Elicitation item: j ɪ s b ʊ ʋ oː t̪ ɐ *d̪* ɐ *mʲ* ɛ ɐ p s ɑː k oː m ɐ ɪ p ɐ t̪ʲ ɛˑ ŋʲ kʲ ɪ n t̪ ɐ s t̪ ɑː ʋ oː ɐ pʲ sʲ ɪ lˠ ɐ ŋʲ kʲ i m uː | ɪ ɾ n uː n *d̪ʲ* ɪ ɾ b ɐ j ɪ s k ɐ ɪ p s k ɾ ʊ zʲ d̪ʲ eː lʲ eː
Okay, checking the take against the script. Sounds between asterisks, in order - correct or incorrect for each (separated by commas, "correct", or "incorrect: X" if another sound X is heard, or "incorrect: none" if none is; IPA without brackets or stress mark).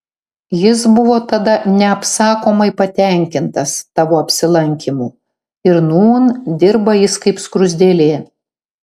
correct, incorrect: nʲ, correct